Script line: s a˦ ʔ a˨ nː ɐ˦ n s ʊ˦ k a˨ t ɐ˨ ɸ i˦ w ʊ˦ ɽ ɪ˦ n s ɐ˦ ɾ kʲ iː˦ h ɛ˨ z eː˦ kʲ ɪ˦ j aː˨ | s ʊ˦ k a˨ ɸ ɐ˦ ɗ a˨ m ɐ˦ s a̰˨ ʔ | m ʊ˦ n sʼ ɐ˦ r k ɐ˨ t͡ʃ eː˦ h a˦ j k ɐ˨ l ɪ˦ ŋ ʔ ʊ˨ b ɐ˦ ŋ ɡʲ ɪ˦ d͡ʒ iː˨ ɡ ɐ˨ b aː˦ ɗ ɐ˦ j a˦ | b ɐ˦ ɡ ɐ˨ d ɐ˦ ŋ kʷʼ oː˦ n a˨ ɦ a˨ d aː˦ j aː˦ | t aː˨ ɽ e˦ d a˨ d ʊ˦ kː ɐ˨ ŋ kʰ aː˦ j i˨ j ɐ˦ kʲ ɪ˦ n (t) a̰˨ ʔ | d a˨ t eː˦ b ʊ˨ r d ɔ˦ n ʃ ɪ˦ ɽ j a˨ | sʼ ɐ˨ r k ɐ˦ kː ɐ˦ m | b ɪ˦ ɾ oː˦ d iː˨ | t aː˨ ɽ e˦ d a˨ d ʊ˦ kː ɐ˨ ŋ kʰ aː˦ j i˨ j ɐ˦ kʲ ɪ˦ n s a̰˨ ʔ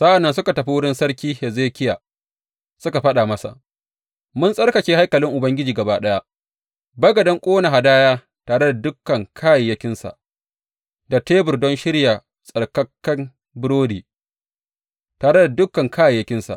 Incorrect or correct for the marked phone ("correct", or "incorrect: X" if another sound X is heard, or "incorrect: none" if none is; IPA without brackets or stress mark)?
incorrect: s